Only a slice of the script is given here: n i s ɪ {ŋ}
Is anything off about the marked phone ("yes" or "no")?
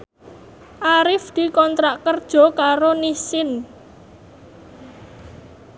yes